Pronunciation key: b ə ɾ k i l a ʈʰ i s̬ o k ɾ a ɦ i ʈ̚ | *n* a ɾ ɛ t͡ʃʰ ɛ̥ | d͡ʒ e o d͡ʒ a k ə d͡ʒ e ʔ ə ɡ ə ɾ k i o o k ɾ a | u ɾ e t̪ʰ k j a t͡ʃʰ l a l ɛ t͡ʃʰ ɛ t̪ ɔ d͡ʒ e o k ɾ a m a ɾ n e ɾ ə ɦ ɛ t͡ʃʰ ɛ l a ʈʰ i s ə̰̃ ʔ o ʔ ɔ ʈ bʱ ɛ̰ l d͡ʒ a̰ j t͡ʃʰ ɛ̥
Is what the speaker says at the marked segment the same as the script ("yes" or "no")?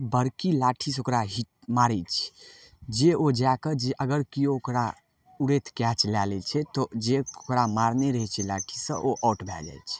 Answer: no